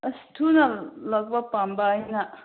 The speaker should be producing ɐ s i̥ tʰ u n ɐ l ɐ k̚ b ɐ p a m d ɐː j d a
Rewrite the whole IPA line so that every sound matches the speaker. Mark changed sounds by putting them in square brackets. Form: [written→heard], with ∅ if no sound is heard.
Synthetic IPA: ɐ s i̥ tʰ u n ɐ l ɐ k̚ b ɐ p a m [d→b] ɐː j [d→n] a